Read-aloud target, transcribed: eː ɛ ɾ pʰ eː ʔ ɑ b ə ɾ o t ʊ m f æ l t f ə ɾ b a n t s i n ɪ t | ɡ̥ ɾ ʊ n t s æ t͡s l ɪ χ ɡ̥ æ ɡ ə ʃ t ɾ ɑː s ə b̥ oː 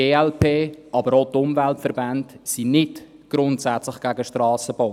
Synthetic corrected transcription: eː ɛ l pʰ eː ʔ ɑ b ə ɾ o t ʊ m v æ l t f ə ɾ b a n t s i n ɪ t | ɡ̥ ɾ ʊ n t s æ t͡s l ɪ χ ɡ̥ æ ɡ ə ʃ t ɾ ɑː s ə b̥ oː